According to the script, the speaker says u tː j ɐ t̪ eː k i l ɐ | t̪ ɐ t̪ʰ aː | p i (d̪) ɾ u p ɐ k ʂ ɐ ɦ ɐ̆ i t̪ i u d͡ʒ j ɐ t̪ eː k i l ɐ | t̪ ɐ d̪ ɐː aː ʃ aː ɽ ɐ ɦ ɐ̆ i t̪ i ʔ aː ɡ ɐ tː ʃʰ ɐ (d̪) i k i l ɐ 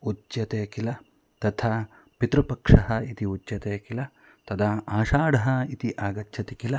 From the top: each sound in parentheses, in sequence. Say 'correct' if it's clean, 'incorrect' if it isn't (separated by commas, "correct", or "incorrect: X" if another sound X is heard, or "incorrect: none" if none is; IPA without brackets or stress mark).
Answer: incorrect: t̪, incorrect: t̪